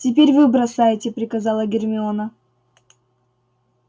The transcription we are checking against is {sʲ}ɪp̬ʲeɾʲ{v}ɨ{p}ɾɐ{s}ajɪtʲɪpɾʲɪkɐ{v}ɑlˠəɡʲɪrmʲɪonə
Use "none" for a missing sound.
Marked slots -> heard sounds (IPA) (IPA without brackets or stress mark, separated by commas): tʲ, v, b, s, z